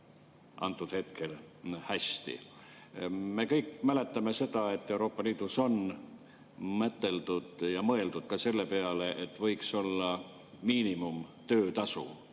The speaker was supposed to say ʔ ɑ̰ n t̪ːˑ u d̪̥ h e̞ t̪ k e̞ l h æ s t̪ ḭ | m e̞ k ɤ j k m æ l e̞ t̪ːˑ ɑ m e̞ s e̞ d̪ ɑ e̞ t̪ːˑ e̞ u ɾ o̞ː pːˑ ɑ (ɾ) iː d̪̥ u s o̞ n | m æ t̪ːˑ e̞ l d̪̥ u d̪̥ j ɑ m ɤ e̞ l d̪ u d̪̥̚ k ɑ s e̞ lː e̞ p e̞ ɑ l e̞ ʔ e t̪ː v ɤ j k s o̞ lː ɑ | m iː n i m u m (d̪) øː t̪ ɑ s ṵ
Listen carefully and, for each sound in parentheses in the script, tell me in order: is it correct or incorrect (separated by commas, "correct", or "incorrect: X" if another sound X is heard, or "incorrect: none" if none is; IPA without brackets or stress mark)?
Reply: incorrect: l, incorrect: t̪